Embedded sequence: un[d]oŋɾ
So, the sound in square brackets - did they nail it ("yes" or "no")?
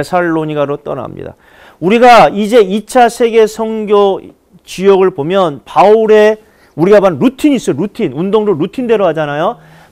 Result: yes